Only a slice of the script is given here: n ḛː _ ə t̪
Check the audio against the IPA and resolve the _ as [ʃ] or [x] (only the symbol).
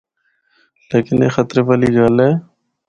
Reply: x